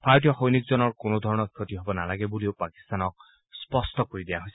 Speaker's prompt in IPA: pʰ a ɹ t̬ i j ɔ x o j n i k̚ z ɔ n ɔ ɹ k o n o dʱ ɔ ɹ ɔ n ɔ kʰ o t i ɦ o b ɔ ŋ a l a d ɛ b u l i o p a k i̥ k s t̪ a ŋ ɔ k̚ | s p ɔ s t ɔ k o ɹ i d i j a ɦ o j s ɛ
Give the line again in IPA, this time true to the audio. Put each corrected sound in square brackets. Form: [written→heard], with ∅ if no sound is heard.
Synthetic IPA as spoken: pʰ a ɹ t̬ i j ɔ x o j n i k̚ z ɔ n ɔ ɹ k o n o dʱ ɔ ɹ ɔ n ɔ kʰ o t i ɦ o b ɔ [ŋ→n] a l a [d→ɡ] ɛ b u l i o p a k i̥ [k→∅] s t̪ a [ŋ→n] ɔ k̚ | s p ɔ s t ɔ k o ɹ i d i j a ɦ o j s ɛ